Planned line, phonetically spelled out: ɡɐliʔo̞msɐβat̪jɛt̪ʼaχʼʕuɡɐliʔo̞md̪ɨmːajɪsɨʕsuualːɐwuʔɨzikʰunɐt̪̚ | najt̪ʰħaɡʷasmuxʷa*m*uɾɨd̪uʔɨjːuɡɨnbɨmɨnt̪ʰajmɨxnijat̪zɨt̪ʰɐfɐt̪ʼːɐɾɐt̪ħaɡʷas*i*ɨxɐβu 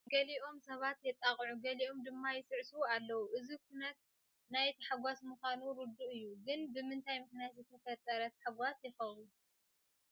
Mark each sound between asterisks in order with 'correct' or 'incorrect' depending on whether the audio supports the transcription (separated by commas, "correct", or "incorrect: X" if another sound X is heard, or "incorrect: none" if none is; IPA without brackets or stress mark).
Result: incorrect: n, incorrect: j